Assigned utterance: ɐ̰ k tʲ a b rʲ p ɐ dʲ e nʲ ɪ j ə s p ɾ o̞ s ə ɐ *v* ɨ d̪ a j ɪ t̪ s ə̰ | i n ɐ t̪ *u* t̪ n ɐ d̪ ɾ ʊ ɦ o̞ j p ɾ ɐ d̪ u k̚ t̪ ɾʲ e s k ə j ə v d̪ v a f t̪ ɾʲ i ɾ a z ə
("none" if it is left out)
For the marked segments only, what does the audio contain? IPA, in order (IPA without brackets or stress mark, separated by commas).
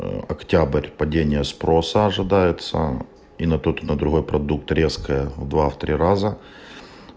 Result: ʐ, o